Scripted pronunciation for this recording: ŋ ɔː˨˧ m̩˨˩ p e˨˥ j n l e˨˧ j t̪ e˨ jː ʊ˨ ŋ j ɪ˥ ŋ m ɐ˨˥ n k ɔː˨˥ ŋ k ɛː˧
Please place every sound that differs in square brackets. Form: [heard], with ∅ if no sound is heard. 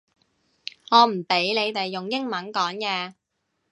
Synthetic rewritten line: ŋ ɔː˨˧ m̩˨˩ p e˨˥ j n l e˨˧ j t̪ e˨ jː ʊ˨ ŋ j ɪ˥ ŋ m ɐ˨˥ n k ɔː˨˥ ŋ k ɛː˧